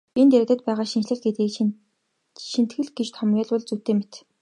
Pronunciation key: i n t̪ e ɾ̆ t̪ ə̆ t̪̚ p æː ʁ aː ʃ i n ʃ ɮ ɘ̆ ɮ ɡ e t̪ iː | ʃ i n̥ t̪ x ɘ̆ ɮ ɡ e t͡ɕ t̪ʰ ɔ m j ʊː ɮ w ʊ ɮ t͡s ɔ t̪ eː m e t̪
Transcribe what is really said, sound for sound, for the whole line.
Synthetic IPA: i n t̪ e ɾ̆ t̪ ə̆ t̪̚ p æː ʁ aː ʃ i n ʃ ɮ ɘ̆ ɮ ɡ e t̪ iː | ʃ i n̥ t̪ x ɘ̆ ɮ ɡ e t͡ɕ t̪ʰ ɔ m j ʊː ɮ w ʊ ɮ t͡s u t̪ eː m e t̪